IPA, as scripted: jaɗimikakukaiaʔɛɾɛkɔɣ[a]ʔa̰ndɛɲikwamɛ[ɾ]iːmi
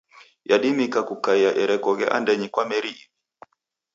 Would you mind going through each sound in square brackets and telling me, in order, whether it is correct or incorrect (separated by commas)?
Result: incorrect, correct